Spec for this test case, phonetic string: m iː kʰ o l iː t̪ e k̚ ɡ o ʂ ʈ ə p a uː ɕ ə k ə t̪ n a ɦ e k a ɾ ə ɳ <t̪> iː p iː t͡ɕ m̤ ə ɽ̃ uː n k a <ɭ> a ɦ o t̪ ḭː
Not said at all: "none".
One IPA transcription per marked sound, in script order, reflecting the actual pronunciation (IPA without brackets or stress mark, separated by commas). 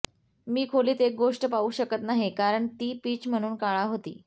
t̪, ɭ